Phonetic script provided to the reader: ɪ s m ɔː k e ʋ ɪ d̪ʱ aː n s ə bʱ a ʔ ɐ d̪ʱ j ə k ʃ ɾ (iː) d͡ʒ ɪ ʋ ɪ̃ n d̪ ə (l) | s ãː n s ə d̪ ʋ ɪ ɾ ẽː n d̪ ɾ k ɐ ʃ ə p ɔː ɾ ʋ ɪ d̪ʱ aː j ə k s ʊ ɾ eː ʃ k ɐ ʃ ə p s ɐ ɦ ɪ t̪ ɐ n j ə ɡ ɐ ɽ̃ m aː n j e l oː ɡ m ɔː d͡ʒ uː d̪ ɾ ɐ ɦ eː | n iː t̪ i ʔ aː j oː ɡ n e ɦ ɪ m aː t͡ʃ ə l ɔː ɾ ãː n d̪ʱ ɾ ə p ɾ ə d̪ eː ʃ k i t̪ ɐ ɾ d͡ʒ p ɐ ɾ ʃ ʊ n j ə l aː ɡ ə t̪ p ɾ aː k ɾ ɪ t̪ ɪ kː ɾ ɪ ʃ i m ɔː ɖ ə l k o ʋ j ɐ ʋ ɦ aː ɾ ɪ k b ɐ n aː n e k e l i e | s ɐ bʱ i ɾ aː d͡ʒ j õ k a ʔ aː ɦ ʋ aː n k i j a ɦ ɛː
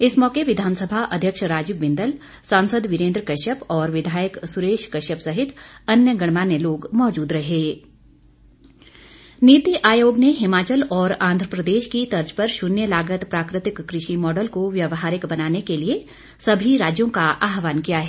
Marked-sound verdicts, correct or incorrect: incorrect: aː, correct

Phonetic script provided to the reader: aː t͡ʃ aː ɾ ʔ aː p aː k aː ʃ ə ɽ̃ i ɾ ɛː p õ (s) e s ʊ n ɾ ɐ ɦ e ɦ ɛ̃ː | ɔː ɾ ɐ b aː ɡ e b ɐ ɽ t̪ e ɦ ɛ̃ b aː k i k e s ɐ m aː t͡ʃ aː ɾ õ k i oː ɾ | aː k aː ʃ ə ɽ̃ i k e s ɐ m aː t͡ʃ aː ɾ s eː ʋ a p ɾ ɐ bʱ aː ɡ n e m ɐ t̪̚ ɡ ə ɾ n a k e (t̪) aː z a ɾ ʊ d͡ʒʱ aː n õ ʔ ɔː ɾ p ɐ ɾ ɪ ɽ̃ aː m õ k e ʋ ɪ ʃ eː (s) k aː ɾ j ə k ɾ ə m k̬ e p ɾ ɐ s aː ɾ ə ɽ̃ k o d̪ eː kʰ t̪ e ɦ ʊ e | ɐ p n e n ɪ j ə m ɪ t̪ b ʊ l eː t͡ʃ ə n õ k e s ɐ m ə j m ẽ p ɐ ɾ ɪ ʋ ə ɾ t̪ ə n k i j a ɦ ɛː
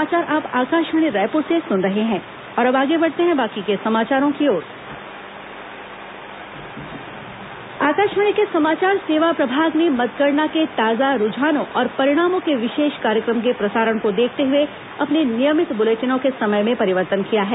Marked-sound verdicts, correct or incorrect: correct, correct, incorrect: ʃ

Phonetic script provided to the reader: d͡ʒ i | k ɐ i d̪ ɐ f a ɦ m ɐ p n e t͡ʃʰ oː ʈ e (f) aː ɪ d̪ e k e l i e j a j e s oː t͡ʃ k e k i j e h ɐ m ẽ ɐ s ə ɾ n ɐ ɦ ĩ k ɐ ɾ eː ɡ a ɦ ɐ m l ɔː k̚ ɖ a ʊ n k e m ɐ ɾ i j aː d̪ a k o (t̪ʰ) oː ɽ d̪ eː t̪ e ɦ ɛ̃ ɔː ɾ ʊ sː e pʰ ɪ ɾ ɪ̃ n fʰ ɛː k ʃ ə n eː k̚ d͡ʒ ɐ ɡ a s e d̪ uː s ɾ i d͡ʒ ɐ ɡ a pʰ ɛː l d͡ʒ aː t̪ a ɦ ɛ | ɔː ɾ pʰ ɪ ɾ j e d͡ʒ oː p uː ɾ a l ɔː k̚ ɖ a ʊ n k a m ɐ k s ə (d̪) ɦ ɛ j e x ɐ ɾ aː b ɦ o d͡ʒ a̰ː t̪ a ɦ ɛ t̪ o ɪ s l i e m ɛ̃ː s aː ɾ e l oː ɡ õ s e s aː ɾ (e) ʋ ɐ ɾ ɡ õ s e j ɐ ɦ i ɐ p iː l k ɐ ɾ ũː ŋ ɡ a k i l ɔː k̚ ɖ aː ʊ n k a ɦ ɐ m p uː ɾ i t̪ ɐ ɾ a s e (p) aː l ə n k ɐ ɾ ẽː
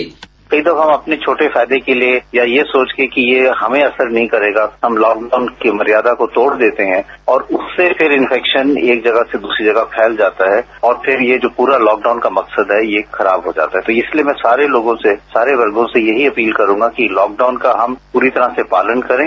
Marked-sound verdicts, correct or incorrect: correct, incorrect: t̪, correct, correct, correct

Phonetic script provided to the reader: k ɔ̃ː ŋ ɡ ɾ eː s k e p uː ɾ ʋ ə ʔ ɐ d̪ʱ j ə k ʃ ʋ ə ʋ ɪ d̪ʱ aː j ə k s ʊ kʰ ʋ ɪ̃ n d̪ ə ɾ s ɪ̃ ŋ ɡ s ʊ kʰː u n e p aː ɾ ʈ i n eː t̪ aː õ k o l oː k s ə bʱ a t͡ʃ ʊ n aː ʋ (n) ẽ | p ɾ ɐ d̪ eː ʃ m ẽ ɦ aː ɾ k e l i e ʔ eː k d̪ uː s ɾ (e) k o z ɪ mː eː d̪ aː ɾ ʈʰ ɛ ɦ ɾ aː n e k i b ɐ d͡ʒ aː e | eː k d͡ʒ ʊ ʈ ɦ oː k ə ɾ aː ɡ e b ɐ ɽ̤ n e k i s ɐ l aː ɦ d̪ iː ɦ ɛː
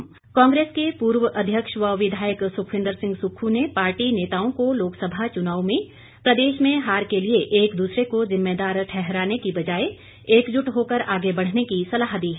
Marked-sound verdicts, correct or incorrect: incorrect: m, correct

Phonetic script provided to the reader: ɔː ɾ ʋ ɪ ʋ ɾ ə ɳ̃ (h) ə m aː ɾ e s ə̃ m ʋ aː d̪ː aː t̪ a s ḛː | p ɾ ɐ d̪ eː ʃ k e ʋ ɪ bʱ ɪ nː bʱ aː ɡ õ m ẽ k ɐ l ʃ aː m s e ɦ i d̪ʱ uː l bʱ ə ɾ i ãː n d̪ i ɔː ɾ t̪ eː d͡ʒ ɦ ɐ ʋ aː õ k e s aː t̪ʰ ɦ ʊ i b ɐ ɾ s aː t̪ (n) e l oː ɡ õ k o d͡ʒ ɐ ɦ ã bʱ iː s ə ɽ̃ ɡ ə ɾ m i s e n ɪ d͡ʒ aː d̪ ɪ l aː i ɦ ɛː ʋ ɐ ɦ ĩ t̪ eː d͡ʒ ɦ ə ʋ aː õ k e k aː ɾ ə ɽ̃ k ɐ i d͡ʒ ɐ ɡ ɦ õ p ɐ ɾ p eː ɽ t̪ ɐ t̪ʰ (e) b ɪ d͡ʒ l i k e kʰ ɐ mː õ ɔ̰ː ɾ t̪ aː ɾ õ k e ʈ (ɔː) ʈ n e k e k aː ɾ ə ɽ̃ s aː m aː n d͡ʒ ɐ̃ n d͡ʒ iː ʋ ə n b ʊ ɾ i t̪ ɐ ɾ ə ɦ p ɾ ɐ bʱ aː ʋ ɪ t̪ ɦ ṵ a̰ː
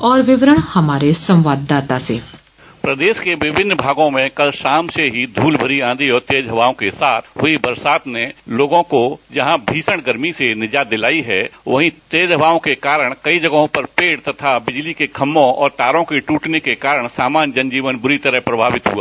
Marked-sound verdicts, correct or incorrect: correct, correct, incorrect: a, incorrect: uː

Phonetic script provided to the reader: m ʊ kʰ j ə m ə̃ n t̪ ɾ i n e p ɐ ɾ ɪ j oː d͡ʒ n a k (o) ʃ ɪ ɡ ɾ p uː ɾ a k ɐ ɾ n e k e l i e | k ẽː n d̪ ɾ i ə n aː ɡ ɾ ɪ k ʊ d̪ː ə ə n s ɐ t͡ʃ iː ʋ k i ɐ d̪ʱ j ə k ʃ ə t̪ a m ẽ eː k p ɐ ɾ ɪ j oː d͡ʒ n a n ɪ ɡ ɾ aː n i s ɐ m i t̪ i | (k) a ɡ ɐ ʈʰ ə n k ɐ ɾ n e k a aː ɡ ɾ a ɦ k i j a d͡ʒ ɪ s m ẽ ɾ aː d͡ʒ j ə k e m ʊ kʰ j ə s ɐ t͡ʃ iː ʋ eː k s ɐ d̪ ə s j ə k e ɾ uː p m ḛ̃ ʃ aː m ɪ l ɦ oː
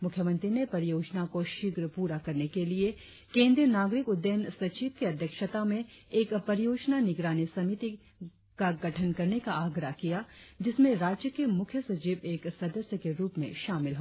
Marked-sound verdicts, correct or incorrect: correct, correct

